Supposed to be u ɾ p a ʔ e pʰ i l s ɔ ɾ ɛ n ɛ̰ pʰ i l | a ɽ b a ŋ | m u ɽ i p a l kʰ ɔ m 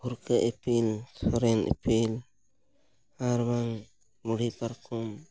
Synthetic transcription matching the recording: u ɾ k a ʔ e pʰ i l s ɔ ɾ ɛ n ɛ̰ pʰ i l | a ɾ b a ŋ | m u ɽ i p a ɾ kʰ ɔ m

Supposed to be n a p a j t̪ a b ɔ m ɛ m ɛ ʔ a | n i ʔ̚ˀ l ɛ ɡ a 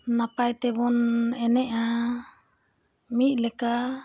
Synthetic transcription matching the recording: n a p a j t̪ ɛ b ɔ n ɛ n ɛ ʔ a | m i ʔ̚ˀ l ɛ k a

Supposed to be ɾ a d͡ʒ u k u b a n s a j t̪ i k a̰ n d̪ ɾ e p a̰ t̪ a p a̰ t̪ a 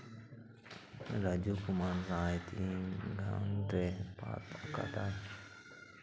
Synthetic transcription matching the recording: ɾ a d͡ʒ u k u m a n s a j t̪ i ɡ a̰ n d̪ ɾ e p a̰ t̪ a k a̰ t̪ a

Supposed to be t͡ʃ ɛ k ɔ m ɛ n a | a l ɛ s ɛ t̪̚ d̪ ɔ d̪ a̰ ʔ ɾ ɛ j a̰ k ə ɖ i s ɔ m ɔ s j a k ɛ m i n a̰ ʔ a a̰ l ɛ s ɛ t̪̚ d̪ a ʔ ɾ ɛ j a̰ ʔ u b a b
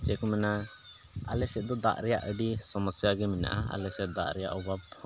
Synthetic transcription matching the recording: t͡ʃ ɛ k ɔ m ɛ n a | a l ɛ s ɛ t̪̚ d̪ ɔ d̪ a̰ ʔ ɾ ɛ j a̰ ʔ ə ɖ i s ɔ m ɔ s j a ɡ ɛ m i n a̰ ʔ a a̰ l ɛ s ɛ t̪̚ d̪ a ʔ ɾ ɛ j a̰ ʔ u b a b

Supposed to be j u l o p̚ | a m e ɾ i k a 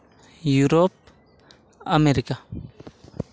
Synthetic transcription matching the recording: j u ɾ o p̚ | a m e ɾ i k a

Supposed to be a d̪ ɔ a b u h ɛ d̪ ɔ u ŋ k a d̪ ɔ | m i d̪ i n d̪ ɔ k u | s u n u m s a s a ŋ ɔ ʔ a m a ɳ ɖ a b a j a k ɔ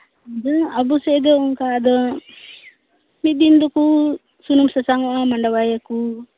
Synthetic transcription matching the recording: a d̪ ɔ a b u s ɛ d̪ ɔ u ŋ k a d̪ ɔ | m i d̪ i n d̪ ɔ k u | s u n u m s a s a ŋ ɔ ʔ a m a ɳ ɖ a w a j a k u

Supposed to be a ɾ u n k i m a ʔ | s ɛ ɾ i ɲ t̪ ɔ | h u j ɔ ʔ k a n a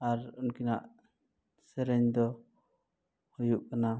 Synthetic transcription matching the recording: a ɾ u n k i n a ʔ | s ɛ ɾ ɛ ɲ d̪ ɔ | h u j u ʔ k a n a

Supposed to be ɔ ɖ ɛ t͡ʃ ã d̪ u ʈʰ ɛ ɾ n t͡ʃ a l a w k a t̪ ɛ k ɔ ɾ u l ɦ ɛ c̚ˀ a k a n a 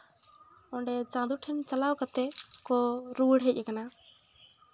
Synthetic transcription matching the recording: ɔ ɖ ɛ t͡ʃ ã d̪ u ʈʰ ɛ n t͡ʃ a l a w k a t̪ ɛ k ɔ ɾ u ɽ ɦ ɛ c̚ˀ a k a n a

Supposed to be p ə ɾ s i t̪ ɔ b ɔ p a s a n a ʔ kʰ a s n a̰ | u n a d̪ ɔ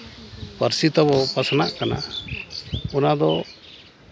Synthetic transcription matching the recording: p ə ɾ s i t̪ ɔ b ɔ p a s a n a ʔ k a n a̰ | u n a d̪ ɔ

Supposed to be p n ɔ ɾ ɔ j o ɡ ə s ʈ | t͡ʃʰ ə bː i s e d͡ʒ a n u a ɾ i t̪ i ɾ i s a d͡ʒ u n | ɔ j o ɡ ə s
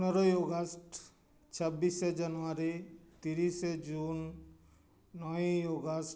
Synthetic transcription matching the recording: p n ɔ ɾ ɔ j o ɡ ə s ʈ | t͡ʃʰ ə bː i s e d͡ʒ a n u a ɾ i t̪ i ɾ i s e d͡ʒ u n | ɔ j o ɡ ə s

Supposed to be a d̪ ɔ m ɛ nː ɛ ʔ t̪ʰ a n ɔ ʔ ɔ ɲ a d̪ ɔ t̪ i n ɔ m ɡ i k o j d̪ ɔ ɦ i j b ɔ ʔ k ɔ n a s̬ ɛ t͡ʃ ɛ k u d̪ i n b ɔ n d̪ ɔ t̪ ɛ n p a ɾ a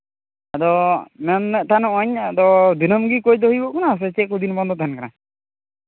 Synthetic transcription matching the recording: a d̪ ɔ m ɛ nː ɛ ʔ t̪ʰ a n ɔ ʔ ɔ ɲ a d̪ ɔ d̪ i n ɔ m ɡ i k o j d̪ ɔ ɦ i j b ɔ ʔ k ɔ n a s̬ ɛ t͡ʃ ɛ k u d̪ i n b ɔ n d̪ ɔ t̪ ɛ n k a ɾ a

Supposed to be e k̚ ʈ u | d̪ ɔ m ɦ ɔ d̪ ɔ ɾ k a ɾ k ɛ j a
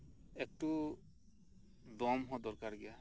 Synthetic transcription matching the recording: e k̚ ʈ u | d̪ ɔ m ɦ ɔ d̪ ɔ ɾ k a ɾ ɡ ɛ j a

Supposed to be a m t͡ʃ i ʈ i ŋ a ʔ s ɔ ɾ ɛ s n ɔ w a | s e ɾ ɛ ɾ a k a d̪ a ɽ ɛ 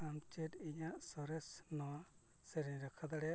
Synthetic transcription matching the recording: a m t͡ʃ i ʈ i ɲ a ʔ s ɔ ɾ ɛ s n ɔ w a | s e ɾ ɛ ɾ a kʰ a d̪ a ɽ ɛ

